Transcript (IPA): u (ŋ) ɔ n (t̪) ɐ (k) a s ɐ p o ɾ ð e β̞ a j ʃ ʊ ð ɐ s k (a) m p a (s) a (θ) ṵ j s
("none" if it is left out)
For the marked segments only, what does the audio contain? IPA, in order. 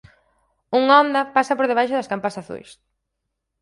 ŋ, d̪, p, a, s, θ

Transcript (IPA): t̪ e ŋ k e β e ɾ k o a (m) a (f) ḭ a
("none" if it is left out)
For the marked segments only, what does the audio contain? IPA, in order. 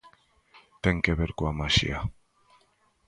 m, ʃ

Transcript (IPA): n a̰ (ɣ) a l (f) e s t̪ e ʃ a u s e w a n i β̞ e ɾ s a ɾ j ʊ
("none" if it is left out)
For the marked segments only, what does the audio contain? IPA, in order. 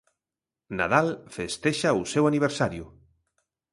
ð, f

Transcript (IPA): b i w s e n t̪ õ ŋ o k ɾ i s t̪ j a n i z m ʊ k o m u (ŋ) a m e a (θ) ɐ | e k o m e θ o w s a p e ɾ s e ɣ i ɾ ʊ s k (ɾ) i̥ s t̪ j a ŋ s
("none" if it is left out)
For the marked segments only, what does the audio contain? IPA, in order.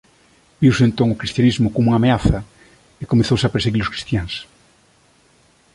ŋ, θ, ɾ

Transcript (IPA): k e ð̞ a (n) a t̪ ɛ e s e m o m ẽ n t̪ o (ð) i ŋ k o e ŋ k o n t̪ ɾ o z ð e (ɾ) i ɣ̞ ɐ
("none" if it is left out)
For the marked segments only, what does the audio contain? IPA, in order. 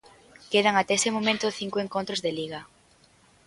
ŋ, θ, l

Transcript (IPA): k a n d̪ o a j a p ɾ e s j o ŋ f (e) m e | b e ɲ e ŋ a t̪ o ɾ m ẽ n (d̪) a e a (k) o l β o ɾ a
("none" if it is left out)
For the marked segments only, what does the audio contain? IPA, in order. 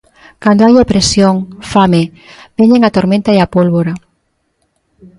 a, t̪, p

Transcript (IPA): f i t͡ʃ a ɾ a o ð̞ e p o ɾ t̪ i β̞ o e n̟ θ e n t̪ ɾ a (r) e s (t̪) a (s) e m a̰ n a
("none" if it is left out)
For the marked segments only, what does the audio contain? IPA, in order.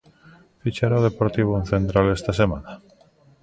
l, t̪, s

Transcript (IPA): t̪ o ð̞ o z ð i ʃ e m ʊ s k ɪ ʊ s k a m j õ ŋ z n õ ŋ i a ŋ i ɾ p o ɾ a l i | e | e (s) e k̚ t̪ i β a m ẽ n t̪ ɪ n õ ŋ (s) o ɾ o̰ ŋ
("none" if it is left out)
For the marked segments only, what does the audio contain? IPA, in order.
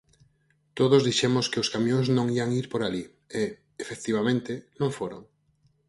f, f

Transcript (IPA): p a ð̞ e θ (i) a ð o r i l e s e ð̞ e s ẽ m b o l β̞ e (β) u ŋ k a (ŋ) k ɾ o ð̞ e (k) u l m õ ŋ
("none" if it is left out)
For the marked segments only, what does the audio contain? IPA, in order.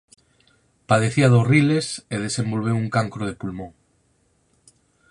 i, w, ŋ, p

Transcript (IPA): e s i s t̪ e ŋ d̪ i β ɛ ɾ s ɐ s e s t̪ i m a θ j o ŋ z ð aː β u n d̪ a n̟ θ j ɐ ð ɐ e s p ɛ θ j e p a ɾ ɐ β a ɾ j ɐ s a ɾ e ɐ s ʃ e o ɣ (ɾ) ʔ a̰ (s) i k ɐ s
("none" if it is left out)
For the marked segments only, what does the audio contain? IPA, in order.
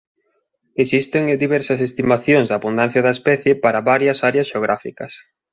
ɾ, f

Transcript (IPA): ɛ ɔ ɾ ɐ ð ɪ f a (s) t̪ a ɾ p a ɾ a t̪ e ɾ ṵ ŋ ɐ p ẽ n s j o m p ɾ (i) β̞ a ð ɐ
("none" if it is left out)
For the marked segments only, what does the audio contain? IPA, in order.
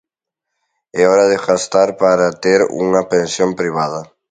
s, i

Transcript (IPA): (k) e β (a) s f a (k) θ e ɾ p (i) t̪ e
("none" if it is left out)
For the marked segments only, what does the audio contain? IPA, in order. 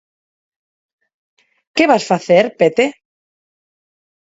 k, a, none, e

